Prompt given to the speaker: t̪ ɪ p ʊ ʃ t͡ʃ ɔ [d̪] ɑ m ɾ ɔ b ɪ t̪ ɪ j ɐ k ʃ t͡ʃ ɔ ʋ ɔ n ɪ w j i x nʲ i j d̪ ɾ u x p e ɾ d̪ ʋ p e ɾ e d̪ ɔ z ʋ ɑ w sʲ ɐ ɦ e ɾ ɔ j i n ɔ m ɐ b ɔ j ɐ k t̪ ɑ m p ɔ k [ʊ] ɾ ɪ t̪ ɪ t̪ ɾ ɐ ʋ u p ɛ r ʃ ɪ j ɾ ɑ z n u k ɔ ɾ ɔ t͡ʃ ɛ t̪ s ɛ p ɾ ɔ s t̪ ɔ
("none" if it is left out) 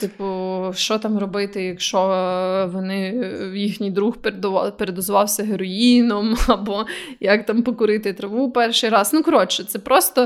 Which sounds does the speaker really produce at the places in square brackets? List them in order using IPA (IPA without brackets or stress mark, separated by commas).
t̪, ʊ